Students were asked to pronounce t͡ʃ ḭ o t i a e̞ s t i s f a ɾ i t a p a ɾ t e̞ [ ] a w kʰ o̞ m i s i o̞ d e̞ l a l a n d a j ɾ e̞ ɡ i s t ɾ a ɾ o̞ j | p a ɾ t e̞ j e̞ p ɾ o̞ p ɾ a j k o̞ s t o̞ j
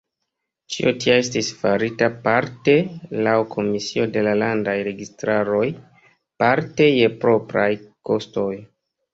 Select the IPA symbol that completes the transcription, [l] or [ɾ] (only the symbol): l